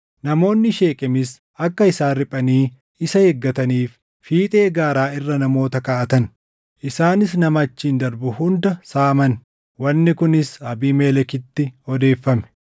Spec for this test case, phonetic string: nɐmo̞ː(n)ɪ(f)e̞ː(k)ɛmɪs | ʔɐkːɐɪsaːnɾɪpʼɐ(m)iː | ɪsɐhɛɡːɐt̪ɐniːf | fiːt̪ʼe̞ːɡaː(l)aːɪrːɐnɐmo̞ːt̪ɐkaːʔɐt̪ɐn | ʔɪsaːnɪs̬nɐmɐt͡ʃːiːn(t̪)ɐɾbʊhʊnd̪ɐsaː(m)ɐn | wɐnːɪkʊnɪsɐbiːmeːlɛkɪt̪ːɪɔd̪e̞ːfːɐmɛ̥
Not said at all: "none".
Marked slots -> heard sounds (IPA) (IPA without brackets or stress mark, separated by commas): nː, ʃ, kʼ, n, ɾ, d̪, m